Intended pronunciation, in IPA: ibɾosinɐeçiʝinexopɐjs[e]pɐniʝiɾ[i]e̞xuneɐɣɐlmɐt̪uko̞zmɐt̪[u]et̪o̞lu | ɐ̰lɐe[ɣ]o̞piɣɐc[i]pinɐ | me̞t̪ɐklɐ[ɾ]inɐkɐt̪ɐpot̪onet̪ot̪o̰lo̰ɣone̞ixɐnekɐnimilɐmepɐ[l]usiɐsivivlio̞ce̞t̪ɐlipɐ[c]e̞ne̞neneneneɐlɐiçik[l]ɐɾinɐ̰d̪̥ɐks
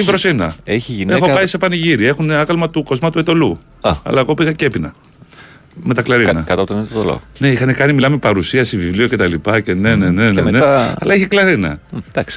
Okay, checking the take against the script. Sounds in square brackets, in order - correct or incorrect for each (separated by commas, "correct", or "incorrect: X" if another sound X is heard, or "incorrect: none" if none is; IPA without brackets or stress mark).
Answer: correct, correct, correct, correct, incorrect: e, correct, incorrect: ɾ, correct, correct